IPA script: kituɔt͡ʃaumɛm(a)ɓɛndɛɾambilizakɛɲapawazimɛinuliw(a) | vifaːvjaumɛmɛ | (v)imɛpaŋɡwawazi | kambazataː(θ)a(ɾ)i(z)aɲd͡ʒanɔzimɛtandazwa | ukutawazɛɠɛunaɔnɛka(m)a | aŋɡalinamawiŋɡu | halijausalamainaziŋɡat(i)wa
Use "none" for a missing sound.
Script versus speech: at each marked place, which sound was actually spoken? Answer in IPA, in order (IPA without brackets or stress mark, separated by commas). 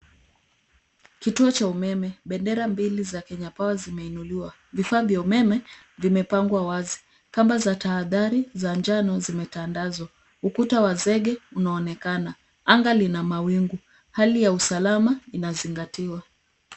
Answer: ɛ, a, v, ð, ɾ, z, n, i